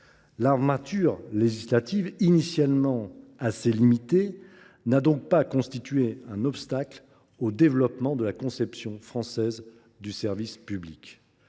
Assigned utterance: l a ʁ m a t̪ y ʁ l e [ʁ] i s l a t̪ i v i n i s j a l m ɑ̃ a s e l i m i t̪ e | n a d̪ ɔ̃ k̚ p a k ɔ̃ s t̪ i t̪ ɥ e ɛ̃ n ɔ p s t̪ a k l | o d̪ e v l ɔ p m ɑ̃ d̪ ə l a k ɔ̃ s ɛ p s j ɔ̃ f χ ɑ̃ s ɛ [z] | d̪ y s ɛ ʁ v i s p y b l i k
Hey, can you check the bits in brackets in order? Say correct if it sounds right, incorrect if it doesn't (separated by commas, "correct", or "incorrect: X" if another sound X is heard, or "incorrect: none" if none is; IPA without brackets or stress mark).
incorrect: ʒ, correct